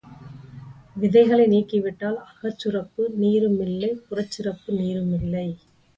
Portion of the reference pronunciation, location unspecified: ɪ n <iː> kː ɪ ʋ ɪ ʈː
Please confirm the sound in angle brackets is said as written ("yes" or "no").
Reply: yes